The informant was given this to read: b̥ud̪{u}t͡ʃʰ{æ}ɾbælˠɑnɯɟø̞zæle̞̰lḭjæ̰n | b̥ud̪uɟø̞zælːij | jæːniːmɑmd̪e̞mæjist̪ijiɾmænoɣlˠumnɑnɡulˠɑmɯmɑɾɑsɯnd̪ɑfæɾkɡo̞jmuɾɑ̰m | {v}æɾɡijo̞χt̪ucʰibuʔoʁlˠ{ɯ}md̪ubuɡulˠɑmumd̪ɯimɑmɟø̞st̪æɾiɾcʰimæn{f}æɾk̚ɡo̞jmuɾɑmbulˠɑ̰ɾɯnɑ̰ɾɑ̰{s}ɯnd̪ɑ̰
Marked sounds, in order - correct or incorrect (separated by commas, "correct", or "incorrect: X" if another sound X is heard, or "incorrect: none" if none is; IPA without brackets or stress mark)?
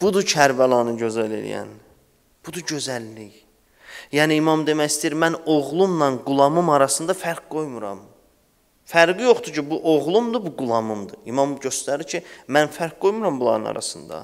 correct, correct, incorrect: f, incorrect: u, correct, correct